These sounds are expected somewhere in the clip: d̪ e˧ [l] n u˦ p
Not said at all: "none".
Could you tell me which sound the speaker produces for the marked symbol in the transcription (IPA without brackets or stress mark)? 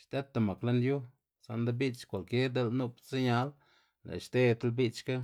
l